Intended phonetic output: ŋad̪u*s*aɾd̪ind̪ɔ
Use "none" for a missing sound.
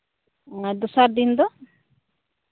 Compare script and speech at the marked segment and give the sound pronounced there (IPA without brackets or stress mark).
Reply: s